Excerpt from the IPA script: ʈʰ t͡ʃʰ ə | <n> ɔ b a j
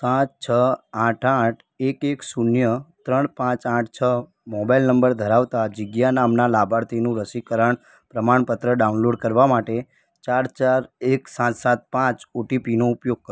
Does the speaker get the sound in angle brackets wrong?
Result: yes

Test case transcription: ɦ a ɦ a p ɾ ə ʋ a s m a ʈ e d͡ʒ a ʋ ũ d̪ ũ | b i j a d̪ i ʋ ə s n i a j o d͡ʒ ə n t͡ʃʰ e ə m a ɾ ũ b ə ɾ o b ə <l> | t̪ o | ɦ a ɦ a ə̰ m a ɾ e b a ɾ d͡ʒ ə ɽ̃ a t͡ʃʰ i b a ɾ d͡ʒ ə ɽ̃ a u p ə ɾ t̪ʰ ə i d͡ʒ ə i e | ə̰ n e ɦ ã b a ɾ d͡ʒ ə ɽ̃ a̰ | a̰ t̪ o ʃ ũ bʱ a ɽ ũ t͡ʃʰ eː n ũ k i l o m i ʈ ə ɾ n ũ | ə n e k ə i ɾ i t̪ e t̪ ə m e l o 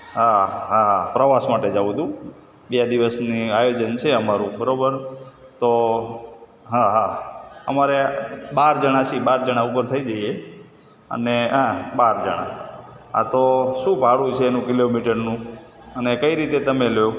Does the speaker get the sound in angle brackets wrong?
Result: yes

